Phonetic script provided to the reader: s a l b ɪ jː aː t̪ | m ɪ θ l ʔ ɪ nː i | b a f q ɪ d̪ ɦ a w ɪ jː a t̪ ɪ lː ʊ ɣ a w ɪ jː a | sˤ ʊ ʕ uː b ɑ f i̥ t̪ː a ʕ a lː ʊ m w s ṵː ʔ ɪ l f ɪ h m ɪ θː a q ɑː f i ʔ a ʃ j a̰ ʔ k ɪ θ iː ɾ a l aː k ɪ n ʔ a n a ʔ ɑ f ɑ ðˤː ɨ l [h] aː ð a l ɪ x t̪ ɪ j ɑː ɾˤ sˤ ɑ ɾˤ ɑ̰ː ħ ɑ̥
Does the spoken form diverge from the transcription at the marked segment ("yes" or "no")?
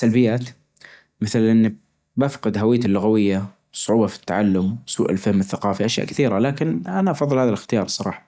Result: no